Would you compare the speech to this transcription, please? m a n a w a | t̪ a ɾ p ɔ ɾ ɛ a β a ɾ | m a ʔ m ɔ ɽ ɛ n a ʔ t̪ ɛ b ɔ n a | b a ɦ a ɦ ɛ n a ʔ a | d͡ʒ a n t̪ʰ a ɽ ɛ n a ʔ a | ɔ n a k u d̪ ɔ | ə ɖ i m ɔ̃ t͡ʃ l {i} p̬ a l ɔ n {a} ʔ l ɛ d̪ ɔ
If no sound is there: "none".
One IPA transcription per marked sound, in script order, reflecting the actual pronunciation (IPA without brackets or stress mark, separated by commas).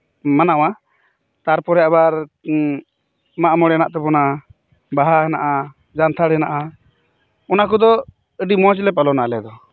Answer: ɛ, a